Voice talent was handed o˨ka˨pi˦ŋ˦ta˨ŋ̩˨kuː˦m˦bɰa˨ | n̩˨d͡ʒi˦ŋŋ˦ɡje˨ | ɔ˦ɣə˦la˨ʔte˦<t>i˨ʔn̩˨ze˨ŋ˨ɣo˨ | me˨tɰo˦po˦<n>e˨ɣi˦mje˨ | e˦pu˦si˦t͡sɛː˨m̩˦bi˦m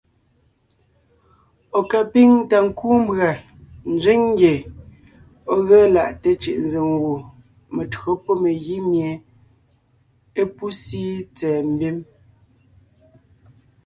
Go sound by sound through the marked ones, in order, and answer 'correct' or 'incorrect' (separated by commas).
incorrect, incorrect